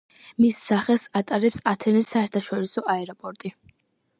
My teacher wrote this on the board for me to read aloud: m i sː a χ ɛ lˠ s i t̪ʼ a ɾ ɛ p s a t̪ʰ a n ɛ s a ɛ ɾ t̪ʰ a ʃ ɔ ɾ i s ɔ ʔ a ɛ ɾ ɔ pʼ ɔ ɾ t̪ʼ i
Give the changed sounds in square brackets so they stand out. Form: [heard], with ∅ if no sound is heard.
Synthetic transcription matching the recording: m i sː a χ ɛ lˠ s [a] t̪ʼ a ɾ ɛ p s a t̪ʰ [ɛ] n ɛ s a ɛ ɾ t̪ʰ a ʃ ɔ ɾ i s ɔ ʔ a ɛ ɾ ɔ pʼ ɔ ɾ t̪ʼ i